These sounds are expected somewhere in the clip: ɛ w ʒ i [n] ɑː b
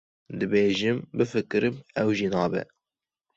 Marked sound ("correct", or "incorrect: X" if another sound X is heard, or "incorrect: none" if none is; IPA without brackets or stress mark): correct